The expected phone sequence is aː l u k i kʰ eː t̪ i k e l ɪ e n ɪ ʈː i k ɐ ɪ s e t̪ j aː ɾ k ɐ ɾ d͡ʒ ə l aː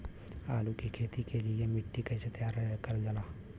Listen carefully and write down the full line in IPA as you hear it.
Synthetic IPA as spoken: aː l u k i kʰ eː t̪ i k e l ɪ e m ɪ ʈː i k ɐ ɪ s e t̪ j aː ɾ k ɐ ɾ d͡ʒ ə l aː